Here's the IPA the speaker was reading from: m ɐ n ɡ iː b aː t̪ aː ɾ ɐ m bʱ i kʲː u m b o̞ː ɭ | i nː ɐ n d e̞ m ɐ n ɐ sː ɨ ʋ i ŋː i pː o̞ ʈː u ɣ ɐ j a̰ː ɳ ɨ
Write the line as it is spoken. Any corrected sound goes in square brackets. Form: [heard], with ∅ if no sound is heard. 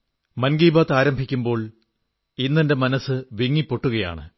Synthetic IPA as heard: m ɐ n ɡ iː b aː t̪ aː ɾ ɐ m bʱ i kʲː u m b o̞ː ɭ | i nː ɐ n d e̞ m ɐ n ɐ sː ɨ ʋ i ŋː i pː o̞ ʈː u ɣ ɐ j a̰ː ɳ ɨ